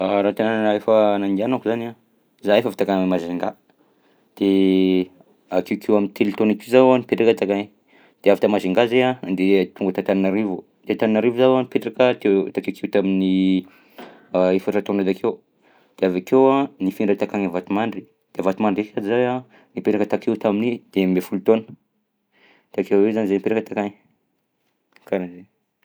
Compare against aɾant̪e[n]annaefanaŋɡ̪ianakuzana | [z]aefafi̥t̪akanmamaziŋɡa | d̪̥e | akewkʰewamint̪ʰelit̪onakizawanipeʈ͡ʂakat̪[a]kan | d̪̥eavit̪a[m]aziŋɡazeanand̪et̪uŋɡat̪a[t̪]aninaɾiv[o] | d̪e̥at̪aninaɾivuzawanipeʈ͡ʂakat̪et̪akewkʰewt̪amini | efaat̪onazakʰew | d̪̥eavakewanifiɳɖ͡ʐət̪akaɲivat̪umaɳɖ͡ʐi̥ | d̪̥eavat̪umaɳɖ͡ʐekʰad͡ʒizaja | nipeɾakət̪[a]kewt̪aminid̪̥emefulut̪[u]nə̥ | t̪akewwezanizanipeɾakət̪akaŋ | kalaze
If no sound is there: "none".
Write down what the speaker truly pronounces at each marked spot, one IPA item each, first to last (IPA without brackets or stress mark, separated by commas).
n, z, a, m, t̪, u, a, o